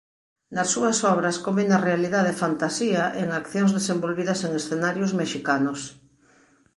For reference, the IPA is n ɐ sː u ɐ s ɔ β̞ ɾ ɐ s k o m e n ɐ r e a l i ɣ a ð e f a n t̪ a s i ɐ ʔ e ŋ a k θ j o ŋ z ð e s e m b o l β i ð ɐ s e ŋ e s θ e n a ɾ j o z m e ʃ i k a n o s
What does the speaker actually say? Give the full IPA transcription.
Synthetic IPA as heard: n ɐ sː u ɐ s ɔ β̞ ɾ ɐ s k o m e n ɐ r e a l i ð a ð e f a n t̪ a s i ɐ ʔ e ŋ a k θ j o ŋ z ð e s e m b o l β i ð ɐ s e ŋ e s θ e n a ɾ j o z m e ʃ i k a n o s